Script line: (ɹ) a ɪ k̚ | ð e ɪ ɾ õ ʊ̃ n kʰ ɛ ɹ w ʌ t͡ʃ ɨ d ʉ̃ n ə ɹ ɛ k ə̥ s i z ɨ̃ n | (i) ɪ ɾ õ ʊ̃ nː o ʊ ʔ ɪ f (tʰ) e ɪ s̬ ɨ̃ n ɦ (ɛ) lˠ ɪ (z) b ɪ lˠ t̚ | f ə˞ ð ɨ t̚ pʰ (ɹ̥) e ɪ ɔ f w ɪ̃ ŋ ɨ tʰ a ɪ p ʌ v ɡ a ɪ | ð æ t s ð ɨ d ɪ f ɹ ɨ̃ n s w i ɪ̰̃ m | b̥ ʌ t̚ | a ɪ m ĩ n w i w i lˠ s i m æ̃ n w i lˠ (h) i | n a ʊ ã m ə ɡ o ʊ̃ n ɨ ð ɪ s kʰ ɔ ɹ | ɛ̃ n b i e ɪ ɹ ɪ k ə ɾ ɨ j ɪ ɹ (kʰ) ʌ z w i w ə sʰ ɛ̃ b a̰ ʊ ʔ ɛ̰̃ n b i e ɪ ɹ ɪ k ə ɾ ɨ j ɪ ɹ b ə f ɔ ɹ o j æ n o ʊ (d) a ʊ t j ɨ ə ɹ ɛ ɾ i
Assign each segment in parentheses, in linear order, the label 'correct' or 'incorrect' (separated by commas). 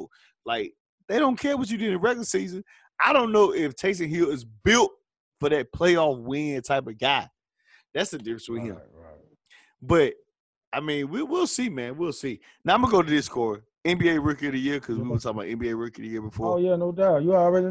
incorrect, incorrect, correct, incorrect, correct, incorrect, incorrect, correct, correct